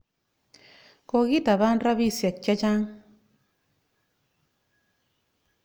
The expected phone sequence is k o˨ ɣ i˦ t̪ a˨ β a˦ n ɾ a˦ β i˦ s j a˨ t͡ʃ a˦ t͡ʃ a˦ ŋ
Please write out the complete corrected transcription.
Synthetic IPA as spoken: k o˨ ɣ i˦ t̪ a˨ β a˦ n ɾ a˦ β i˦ s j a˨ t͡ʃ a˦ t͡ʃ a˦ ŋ